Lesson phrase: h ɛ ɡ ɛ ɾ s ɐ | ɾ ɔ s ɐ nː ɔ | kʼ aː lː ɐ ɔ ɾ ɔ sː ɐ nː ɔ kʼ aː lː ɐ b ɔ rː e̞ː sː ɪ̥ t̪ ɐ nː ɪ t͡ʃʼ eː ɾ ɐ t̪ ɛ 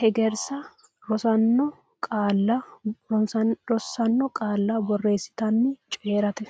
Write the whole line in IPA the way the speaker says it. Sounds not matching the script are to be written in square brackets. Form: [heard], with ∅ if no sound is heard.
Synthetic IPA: h ɛ ɡ ɛ ɾ s ɐ | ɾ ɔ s ɐ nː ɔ | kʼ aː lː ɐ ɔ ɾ ɔ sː ɐ nː ɔ kʼ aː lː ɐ b ɔ rː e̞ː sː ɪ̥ t̪ ɐ nː ɪ t͡ʃʼ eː ɾ ɐ t̪ ɛ

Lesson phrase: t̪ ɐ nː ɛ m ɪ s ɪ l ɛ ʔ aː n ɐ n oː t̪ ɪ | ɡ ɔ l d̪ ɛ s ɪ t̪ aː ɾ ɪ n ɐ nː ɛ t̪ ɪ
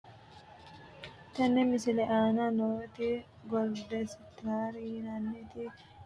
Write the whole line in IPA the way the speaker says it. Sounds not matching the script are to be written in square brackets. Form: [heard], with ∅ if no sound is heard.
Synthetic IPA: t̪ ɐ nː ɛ m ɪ s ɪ l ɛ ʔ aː n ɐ n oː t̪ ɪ | ɡ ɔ l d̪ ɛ s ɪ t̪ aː ɾ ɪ n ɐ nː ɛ t̪ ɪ

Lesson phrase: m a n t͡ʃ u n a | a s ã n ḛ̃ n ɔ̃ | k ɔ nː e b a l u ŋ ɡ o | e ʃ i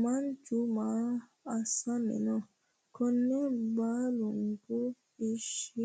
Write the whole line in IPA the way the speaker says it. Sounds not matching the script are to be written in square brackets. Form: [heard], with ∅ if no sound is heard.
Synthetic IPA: m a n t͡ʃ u [m] a | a s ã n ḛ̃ n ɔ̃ | k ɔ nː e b a l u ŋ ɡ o | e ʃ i

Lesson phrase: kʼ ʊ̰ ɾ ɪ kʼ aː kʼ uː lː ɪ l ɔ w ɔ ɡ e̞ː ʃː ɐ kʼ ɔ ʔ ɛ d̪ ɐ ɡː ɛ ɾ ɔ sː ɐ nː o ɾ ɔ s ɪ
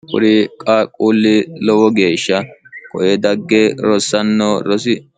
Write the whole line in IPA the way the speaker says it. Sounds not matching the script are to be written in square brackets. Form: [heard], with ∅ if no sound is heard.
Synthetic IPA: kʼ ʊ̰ ɾ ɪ kʼ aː kʼ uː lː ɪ l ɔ w ɔ ɡ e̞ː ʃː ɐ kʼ ɔ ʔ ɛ d̪ ɐ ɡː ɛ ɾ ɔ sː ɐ nː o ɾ ɔ s ɪ

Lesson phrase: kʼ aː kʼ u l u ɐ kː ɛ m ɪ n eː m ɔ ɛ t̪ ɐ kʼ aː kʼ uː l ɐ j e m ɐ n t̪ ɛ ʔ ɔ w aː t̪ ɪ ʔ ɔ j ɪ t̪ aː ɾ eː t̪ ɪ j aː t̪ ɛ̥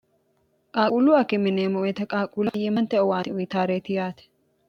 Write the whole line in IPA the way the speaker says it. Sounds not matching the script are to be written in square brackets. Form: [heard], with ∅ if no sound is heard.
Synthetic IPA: kʼ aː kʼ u l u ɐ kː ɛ m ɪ n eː m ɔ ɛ t̪ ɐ kʼ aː kʼ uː l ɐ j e m ɐ n t̪ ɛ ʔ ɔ w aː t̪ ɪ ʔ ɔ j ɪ t̪ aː ɾ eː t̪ ɪ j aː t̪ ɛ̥

